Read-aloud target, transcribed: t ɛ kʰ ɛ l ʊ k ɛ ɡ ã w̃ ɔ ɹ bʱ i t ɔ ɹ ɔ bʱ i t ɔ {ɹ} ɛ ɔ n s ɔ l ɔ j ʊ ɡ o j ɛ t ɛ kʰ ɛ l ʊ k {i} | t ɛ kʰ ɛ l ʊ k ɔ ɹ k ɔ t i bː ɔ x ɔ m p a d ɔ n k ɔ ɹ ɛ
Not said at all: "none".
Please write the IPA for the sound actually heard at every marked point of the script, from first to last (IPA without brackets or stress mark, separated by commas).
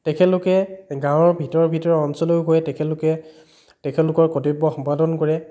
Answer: ɹ, ɛ